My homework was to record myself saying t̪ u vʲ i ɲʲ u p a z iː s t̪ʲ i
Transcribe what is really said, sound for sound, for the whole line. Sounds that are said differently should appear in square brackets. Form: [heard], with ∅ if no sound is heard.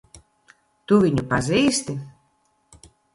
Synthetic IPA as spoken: t̪ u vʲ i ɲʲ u p a z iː s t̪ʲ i